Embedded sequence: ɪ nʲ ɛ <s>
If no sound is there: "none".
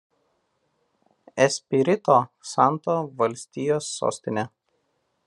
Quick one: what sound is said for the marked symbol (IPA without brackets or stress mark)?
none